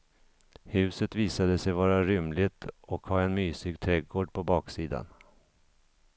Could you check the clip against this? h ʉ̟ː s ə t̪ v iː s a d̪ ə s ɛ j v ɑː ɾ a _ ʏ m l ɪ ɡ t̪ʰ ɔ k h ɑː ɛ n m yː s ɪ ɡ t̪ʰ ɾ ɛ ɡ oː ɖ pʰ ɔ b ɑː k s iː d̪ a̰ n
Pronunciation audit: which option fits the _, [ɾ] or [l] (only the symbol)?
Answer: ɾ